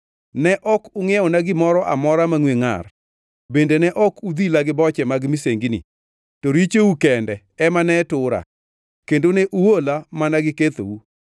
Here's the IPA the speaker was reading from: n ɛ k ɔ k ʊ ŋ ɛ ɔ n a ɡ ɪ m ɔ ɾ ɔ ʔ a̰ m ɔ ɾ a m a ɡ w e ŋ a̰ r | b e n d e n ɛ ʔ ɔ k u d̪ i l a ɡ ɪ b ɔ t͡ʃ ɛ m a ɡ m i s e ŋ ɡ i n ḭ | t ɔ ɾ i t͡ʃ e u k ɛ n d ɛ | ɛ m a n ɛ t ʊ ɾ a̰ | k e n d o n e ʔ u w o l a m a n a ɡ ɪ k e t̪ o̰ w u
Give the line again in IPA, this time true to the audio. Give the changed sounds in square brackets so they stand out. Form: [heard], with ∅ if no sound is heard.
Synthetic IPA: n ɛ [ʔ] ɔ k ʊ ŋ ɛ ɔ n a ɡ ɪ m ɔ ɾ ɔ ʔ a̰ m ɔ ɾ a m a [ŋ] w e ŋ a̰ r | b e n d e n ɛ ʔ ɔ k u d̪ i l a ɡ ɪ b ɔ t͡ʃ ɛ m a ɡ m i s e ŋ ɡ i n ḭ | t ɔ ɾ i t͡ʃ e u k ɛ n d ɛ | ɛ m a n ɛ t ʊ ɾ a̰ | k e n d o n e ʔ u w o l a m a n a ɡ ɪ k e t̪ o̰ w u